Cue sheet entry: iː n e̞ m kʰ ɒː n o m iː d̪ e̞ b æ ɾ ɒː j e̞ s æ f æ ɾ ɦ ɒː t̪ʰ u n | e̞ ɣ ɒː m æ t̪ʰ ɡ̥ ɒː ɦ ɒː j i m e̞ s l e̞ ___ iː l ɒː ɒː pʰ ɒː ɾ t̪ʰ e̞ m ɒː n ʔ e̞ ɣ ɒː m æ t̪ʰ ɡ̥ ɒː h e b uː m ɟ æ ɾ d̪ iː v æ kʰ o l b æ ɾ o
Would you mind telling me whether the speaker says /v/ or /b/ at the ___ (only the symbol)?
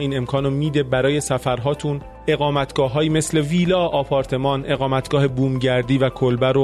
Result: v